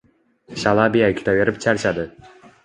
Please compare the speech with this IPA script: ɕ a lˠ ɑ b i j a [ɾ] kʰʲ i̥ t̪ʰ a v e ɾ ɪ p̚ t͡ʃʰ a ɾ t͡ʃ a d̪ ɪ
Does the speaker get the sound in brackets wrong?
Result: yes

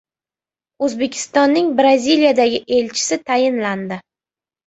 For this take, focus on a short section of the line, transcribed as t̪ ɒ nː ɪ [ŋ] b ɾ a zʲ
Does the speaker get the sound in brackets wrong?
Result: no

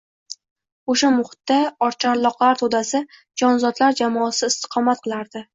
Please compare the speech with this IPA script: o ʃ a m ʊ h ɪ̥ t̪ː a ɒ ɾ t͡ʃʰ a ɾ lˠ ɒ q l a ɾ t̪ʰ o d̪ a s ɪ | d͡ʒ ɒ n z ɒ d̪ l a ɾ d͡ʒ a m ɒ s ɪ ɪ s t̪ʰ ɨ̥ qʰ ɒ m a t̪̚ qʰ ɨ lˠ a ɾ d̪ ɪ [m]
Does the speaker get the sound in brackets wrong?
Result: yes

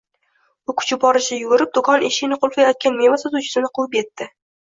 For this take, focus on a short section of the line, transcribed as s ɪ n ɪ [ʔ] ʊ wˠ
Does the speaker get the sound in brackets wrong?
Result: yes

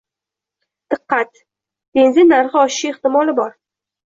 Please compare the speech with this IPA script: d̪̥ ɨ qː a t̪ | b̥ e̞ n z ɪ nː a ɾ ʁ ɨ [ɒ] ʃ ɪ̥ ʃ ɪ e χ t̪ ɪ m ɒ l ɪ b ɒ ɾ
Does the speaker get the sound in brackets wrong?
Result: no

